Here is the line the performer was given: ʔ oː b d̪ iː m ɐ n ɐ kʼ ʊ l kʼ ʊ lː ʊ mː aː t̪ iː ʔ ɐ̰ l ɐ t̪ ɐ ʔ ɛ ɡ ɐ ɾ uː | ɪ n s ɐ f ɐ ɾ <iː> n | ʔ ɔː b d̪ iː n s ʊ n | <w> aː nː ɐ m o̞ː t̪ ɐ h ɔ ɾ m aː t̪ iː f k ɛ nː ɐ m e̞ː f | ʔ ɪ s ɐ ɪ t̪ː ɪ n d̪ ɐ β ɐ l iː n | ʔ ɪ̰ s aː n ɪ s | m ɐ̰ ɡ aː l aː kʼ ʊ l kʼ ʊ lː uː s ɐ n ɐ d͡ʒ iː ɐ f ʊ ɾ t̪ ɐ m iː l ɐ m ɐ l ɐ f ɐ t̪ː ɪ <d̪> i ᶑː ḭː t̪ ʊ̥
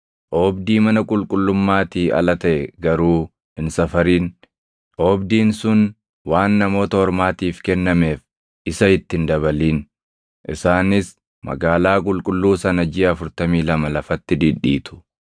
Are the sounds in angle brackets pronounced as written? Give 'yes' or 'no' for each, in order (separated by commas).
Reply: yes, yes, yes